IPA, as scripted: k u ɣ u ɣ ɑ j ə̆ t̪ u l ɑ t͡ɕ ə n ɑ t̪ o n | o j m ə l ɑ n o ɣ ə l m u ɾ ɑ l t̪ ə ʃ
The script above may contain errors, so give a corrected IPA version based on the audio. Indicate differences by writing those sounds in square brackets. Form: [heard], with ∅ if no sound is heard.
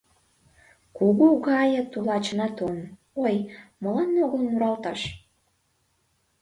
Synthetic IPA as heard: k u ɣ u ɣ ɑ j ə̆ t̪ u l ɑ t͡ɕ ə n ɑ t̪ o n | o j m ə l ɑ n o ɣ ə l m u ɾ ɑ l t̪ [ɑ] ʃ